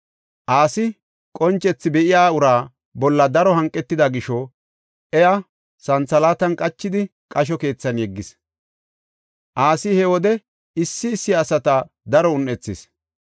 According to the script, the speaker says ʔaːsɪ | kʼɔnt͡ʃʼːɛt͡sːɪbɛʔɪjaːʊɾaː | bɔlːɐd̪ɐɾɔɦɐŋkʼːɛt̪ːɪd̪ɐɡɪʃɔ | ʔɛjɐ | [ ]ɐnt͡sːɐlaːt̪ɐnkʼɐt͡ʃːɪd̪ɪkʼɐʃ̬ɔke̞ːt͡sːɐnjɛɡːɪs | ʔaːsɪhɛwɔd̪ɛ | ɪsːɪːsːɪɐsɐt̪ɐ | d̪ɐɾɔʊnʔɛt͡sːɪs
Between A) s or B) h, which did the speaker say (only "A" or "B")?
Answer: A